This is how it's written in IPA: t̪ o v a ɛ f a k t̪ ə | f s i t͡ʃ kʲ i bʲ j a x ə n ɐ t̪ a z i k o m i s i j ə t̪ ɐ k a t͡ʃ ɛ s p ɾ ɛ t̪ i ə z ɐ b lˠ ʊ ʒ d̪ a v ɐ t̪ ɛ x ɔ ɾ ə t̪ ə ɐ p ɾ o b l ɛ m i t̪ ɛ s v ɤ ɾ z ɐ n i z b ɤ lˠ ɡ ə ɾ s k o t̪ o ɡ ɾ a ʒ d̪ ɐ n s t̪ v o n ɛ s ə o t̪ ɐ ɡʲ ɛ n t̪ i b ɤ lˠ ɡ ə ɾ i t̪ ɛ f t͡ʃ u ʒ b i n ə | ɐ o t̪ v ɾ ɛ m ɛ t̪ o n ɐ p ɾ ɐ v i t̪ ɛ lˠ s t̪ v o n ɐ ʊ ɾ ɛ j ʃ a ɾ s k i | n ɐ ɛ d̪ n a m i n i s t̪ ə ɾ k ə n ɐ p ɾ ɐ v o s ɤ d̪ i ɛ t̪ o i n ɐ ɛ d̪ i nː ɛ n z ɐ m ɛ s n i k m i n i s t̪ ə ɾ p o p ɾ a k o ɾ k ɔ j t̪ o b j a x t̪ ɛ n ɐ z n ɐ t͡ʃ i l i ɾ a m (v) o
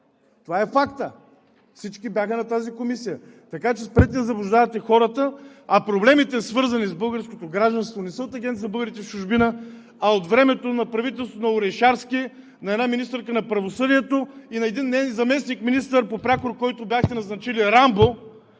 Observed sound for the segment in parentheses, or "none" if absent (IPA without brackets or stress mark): b